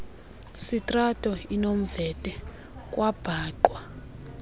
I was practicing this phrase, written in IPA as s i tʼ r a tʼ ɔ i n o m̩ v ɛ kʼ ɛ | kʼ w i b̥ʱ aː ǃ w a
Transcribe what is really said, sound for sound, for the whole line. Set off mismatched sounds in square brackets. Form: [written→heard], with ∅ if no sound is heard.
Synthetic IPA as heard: s i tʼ r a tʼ ɔ i n o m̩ v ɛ [kʼ→tʼ] ɛ | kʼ w [i→a] b̥ʱ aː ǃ w a